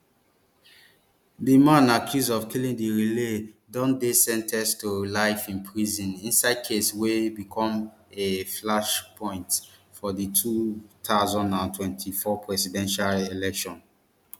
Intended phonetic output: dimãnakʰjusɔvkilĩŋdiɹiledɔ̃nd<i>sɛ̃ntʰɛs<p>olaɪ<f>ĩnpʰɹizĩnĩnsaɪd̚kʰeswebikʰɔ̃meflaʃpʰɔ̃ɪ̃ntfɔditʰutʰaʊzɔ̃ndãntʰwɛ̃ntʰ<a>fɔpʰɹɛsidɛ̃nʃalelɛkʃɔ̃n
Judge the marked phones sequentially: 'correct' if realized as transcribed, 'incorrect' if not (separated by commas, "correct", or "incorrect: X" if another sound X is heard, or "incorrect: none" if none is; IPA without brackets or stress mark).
incorrect: e, incorrect: t, correct, incorrect: i